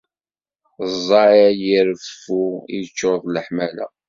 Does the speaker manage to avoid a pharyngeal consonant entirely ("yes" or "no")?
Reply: no